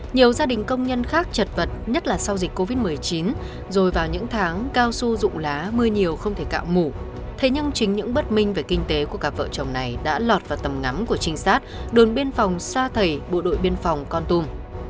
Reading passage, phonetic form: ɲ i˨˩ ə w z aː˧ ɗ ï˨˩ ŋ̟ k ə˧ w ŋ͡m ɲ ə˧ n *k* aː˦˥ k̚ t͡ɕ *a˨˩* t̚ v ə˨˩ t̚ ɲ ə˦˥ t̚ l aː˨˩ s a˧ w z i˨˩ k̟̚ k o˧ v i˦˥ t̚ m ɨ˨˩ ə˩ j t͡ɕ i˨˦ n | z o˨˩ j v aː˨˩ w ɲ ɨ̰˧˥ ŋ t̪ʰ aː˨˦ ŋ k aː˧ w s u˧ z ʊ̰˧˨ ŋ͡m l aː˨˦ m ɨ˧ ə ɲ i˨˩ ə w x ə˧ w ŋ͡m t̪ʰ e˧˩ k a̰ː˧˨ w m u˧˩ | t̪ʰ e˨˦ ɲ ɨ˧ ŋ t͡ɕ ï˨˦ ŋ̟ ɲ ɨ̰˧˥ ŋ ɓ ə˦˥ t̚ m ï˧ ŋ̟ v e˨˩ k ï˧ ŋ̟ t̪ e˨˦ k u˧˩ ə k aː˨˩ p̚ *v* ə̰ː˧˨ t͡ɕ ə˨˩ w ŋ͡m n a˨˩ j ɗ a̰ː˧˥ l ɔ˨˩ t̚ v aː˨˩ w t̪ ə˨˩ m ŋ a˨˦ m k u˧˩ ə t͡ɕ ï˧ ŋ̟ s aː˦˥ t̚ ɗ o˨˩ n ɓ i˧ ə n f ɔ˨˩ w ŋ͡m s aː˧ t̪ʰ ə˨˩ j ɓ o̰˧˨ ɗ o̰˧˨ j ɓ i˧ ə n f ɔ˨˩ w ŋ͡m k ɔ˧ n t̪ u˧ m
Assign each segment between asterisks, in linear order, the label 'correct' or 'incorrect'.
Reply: incorrect: x, incorrect: ə˨˩, correct

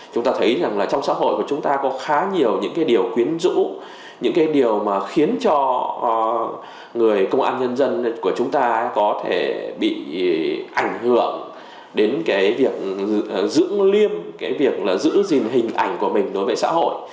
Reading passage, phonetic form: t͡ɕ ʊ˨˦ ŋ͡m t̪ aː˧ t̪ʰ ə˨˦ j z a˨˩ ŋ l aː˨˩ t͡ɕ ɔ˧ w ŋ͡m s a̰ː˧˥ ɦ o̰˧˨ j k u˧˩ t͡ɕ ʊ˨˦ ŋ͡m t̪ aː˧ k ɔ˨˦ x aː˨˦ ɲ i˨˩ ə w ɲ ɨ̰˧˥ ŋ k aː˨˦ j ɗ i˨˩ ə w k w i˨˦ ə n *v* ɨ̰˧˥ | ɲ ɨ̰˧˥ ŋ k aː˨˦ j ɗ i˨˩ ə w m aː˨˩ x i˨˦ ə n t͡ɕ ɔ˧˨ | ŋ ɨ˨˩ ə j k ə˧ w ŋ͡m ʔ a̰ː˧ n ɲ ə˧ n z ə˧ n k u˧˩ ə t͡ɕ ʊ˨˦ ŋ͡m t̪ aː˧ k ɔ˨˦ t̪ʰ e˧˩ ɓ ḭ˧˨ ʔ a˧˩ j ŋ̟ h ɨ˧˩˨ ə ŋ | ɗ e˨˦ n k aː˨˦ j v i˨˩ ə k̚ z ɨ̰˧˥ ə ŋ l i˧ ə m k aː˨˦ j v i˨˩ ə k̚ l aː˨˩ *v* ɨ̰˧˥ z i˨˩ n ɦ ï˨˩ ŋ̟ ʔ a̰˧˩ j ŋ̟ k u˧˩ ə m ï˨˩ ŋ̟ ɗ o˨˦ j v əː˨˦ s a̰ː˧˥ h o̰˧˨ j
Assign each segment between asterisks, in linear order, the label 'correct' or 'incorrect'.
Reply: incorrect: z, incorrect: z

